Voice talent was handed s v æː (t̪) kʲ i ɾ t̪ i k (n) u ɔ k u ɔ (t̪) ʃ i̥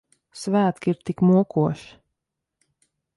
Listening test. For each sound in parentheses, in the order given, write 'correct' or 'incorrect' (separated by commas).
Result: correct, incorrect, incorrect